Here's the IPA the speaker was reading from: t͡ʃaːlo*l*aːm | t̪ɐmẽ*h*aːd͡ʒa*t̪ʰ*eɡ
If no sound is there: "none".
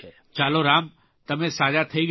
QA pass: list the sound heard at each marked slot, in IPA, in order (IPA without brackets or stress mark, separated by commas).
ɾ, s, t̪ʰ